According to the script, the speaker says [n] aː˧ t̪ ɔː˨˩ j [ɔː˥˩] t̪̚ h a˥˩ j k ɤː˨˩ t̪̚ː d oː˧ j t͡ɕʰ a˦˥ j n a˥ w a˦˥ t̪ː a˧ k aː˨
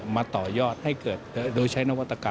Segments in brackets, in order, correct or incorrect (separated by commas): incorrect, correct